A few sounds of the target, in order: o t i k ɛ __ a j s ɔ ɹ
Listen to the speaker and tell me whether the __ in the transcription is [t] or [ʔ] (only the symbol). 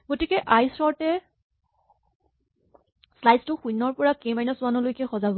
ʔ